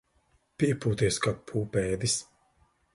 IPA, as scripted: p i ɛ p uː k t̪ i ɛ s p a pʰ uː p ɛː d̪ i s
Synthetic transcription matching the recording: p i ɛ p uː t̪ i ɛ s k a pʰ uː p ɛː d̪ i s

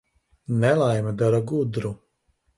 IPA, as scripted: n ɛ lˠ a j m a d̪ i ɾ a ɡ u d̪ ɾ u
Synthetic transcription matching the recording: n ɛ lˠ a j m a d̪ a ɾ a ɡ u d̪ ɾ u

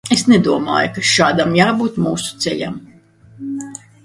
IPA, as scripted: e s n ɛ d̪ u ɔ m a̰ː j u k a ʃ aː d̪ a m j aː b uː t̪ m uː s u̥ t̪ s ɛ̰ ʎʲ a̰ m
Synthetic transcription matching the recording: e s n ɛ d̪ u ɔ m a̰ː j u k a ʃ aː d̪ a m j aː b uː t̪ m uː s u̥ t̪ s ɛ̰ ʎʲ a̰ m

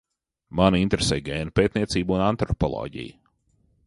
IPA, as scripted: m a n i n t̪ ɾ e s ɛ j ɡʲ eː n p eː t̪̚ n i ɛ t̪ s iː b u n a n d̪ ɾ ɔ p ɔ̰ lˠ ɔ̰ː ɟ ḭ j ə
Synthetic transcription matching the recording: m a n i n t̪ ɾ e s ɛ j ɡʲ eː n p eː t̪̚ n i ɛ t̪ s iː b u n a n t̪ ɾ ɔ p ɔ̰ lˠ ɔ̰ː ɟ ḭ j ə

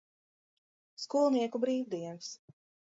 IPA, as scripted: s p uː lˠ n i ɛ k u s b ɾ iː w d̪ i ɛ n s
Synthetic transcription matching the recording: s k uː lˠ n i ɛ k u b ɾ iː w d̪ i ɛ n s

